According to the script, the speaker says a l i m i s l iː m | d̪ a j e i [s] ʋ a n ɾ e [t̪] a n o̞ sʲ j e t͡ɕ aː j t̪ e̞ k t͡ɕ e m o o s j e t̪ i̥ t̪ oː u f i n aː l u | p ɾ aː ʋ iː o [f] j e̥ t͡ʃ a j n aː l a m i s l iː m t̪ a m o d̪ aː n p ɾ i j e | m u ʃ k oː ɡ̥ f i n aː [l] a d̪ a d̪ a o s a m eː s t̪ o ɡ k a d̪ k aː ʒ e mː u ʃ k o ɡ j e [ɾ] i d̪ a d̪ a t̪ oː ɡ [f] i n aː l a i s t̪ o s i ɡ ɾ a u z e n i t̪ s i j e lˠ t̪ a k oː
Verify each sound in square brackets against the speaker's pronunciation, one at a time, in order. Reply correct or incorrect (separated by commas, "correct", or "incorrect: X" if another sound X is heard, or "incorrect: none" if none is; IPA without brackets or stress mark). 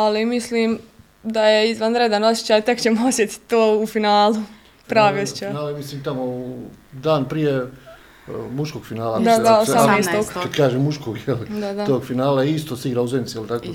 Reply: incorrect: z, incorrect: d̪, incorrect: s, correct, incorrect: l, correct